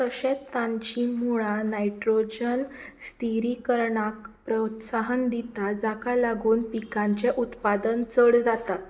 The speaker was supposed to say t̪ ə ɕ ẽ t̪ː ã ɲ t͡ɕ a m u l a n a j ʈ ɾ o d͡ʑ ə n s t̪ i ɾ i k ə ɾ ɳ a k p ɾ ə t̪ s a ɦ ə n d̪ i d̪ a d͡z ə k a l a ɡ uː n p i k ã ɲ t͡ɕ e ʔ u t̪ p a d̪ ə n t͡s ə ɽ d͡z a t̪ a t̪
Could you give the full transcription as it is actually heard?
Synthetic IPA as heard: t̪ ə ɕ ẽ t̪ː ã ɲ t͡ɕ i m u ɭ a n a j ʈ ɾ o d͡ʑ ə n s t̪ i ɾ i k ə ɾ ɳ a k p ɾ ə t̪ s a ɦ ə n d̪ i t̪ a d͡z a k a l a ɡ uː n p i k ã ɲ t͡ɕ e ʔ u t̪ p a d̪ ə n t͡s ə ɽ d͡z a t̪ a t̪